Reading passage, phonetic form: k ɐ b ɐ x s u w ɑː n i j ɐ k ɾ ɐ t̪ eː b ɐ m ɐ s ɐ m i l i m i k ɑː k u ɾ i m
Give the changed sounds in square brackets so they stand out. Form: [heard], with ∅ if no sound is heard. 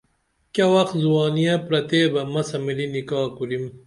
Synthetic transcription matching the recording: k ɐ [w] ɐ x [z] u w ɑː n i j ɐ [p] ɾ ɐ t̪ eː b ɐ m ɐ s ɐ m i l i [n] i k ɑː k u ɾ i m